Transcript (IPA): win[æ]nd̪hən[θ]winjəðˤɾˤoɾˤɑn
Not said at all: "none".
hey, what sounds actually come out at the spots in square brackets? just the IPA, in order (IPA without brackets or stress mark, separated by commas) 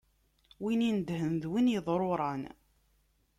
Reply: i, ð